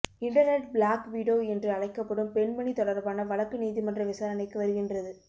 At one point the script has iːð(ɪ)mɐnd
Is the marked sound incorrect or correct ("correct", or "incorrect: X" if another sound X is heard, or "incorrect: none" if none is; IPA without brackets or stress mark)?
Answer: incorrect: i